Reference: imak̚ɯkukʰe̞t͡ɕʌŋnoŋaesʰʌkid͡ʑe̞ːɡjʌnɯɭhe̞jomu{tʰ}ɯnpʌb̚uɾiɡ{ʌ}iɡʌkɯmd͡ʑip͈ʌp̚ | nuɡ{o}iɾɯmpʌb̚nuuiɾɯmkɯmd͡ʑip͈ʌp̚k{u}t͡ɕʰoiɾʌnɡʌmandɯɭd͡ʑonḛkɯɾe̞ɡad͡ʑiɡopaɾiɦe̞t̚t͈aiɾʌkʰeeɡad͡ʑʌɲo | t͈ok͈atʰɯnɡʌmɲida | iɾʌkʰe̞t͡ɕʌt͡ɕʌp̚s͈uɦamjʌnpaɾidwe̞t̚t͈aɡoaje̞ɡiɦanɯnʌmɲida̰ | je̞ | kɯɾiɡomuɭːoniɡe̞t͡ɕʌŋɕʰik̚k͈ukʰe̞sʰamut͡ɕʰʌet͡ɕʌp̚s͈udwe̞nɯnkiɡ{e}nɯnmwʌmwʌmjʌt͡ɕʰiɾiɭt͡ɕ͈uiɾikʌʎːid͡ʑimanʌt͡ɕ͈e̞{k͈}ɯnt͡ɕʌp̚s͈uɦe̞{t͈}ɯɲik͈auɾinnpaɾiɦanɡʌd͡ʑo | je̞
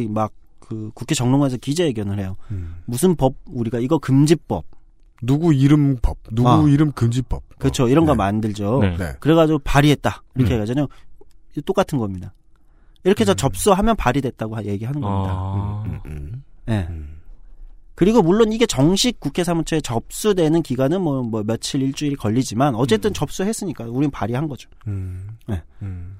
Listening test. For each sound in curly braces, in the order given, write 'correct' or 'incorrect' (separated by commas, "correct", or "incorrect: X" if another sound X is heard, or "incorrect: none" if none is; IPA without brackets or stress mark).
incorrect: sʰ, incorrect: a, incorrect: u, incorrect: ɯ, incorrect: a, incorrect: t͈, incorrect: s͈